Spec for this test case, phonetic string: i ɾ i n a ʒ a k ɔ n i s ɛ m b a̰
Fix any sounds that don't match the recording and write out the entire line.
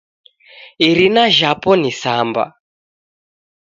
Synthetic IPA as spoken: i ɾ i n a ʒ a p ɔ n i s a m b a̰